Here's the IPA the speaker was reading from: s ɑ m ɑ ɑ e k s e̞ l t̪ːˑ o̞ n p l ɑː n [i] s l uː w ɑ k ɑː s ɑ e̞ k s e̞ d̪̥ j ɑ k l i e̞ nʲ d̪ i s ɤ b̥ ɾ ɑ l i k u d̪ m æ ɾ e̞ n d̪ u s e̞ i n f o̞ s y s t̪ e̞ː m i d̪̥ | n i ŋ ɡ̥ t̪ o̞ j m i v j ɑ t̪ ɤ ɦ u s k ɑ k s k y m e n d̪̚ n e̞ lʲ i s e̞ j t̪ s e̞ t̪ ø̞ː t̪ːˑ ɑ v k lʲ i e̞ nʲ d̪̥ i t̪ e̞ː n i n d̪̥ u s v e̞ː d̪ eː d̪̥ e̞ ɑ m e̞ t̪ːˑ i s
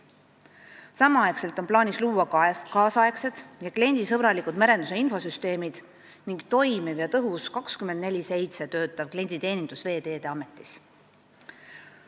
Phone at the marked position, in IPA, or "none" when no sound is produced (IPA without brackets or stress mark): i